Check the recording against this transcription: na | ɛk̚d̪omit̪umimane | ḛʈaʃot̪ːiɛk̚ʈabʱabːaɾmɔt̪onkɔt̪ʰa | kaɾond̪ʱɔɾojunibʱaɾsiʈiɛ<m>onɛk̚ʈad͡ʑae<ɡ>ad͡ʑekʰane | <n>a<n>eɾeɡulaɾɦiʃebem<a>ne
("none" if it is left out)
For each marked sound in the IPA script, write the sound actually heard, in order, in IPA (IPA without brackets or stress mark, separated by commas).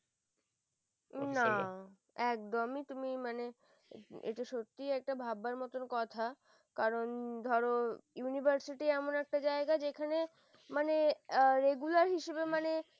m, ɡ, m, n, a